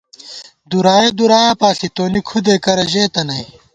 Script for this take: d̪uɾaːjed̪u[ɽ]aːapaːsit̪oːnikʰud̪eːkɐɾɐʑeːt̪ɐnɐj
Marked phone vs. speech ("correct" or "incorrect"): incorrect